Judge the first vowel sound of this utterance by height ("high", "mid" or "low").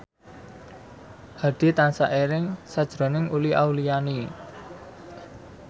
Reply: low